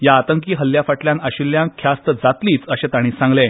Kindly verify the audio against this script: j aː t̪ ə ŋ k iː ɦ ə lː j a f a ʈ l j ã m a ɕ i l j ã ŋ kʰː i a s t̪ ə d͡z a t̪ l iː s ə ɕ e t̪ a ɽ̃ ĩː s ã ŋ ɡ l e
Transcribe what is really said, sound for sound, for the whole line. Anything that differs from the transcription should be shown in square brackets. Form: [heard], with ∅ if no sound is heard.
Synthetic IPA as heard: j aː t̪ ə ŋ k iː ɦ ə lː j a f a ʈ l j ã [n] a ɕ i l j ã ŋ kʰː [j] a s t̪ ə d͡z a t̪ l iː [t͡s] ə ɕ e t̪ a ɽ̃ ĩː s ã ŋ ɡ l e